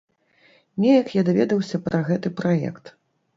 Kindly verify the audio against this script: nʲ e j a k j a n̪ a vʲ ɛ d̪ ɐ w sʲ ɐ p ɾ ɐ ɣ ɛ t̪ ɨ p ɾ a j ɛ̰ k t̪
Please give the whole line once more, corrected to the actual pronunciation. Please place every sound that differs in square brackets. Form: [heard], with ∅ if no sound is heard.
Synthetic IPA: nʲ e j [ɐ] k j a [d̪] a vʲ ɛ d̪ ɐ w sʲ ɐ p ɾ ɐ ɣ ɛ t̪ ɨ p ɾ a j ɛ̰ k t̪